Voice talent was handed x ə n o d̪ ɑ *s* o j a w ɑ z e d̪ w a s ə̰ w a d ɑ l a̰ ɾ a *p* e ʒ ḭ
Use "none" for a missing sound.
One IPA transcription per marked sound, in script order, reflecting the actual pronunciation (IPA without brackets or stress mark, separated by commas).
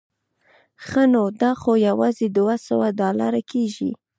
x, k